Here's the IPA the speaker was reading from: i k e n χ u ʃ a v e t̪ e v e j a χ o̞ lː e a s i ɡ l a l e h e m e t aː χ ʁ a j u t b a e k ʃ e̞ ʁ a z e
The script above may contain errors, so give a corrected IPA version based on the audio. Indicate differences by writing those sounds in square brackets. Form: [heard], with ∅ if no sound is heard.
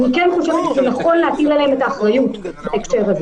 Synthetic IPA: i k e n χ u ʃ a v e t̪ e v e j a χ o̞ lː e a [t] i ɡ l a l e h e m e t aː χ ʁ a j u t b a e k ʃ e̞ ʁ a z e